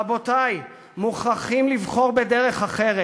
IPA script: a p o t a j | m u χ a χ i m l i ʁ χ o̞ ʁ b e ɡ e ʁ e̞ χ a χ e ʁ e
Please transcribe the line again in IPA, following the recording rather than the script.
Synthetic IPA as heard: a b o t a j | m u χ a χ i m l i v χ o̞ ʁ b e d e ʁ e̞ χ a χ e ʁ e